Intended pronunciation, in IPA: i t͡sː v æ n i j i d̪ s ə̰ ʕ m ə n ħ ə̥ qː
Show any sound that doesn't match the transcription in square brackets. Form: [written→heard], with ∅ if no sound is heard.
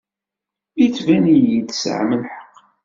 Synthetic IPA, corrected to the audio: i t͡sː v æ n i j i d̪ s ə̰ ʕ m ə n ħ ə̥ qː